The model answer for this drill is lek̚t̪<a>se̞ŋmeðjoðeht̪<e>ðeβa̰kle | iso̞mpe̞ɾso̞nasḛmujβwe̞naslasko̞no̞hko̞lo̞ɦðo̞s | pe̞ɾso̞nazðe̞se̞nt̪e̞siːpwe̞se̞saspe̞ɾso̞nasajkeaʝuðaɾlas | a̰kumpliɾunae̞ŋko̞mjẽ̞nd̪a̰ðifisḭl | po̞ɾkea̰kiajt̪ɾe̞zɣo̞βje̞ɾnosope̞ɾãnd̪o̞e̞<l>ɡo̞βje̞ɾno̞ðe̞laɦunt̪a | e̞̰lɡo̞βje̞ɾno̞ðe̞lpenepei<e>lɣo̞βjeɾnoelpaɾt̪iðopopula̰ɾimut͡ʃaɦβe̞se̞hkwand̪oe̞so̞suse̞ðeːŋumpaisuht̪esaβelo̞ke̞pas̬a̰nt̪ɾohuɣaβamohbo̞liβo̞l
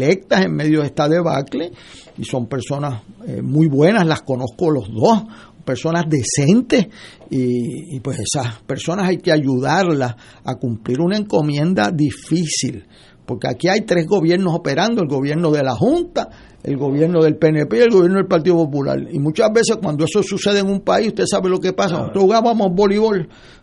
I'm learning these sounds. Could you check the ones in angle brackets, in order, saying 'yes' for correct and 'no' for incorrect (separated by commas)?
yes, no, yes, yes